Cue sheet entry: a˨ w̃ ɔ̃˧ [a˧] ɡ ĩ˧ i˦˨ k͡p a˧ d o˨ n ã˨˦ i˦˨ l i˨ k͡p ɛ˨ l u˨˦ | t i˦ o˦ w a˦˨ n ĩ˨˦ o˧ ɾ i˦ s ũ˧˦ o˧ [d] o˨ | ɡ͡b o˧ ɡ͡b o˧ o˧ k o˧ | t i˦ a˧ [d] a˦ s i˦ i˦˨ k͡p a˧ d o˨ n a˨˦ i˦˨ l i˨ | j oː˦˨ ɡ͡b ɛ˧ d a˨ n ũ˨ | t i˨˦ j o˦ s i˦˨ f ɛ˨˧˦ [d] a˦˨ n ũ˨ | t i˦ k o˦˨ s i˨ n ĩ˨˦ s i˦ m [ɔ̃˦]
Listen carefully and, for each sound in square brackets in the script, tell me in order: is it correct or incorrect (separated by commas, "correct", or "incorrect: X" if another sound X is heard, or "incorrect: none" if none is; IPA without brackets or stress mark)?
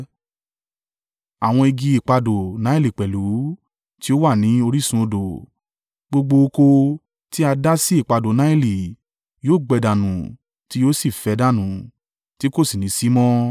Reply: incorrect: i˧, correct, correct, correct, correct